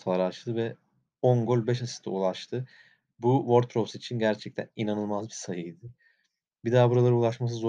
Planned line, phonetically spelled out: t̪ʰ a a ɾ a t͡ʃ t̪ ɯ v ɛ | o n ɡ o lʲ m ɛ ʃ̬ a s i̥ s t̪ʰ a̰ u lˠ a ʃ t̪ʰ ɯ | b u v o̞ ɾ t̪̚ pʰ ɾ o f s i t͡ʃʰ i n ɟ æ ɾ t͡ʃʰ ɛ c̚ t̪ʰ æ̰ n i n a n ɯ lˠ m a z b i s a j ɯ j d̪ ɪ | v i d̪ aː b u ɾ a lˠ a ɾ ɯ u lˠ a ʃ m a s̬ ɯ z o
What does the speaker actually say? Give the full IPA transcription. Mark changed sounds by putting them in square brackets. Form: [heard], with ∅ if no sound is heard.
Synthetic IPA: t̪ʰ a a ɾ a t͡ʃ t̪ ɯ v ɛ | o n ɡ o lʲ [b] ɛ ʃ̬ a s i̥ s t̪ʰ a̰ u lˠ a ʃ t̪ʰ ɯ | b u v o̞ ɾ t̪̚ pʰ ɾ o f s i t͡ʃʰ i n ɟ æ ɾ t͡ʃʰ ɛ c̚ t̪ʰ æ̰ n i n a n ɯ lˠ m a z b i s a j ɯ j d̪ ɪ | [b] i d̪ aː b u ɾ a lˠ a ɾ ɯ u lˠ a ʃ m a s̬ ɯ z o